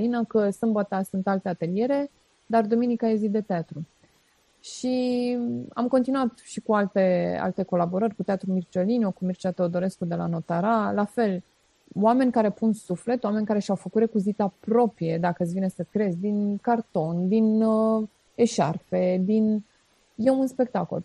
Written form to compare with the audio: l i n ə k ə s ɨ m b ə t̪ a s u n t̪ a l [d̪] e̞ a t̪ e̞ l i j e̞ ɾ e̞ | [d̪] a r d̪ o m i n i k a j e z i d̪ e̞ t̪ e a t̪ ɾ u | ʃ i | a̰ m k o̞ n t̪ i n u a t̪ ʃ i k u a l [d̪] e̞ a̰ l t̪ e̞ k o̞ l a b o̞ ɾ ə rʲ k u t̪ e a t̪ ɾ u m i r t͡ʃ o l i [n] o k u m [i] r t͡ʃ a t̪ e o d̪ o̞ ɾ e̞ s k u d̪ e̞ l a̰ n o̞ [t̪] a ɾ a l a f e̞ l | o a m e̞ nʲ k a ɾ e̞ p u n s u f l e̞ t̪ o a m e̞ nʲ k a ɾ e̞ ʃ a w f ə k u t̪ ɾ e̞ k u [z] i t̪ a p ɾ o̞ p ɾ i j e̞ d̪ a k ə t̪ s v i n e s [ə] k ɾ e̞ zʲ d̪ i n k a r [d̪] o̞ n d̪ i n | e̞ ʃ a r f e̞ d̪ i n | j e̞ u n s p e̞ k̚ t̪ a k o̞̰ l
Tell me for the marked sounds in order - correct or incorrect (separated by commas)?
incorrect, correct, incorrect, correct, correct, correct, correct, correct, incorrect